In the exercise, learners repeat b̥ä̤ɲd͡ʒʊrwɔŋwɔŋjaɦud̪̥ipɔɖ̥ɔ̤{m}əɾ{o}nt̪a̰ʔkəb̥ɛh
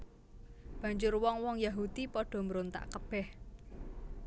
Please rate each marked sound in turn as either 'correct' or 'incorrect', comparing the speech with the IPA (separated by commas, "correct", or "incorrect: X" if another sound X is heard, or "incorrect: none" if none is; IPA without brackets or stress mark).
correct, correct